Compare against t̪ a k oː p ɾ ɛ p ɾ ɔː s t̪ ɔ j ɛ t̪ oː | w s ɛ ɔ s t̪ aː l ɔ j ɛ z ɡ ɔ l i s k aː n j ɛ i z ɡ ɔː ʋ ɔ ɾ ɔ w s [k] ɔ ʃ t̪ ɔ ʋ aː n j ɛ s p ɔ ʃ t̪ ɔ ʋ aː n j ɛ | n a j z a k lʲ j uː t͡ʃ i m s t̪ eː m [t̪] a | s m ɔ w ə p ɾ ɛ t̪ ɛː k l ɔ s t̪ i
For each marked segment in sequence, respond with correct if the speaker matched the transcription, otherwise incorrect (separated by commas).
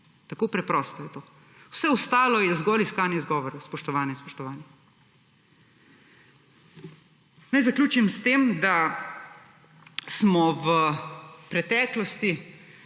incorrect, incorrect